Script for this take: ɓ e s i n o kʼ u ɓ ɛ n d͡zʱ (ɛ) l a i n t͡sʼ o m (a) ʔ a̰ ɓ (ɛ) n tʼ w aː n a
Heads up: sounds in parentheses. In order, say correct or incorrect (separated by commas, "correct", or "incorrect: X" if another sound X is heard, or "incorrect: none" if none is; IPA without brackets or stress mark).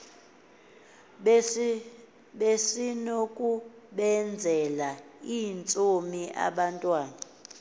correct, incorrect: i, incorrect: a